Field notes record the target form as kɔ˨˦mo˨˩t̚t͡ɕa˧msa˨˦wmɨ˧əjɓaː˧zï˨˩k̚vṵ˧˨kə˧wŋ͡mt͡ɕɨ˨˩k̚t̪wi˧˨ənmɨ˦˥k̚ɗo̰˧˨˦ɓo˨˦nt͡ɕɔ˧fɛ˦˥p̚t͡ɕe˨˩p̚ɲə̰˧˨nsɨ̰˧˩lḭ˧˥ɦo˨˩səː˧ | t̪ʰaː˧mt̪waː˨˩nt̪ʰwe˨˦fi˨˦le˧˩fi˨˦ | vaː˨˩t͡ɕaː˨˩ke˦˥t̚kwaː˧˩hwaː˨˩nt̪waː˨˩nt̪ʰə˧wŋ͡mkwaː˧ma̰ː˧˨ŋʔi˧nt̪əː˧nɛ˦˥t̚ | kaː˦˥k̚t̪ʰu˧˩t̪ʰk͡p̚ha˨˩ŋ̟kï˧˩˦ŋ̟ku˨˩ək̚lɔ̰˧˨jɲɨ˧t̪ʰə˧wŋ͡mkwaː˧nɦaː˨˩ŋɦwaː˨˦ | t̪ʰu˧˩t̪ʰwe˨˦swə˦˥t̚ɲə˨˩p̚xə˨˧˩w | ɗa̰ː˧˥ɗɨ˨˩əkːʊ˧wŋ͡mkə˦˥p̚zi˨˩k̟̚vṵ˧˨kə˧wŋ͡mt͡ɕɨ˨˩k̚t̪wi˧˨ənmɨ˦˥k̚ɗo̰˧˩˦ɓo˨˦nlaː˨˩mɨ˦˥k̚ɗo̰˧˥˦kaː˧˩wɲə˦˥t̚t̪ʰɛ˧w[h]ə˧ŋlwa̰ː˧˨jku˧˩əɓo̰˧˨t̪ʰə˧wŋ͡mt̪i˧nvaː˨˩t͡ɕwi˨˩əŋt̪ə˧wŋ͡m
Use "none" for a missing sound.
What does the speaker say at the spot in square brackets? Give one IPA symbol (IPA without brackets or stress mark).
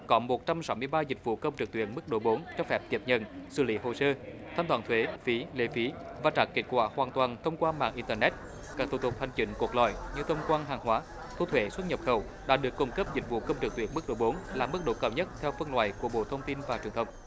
f